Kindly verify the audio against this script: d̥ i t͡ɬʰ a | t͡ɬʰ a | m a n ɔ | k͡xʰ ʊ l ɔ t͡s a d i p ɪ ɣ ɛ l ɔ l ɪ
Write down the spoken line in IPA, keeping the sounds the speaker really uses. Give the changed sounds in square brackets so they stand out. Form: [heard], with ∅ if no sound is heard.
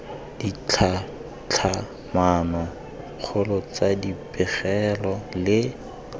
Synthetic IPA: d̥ i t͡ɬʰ a | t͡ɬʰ a | m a n ɔ | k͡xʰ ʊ l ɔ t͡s a d i p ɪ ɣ ɛ l ɔ l ɪ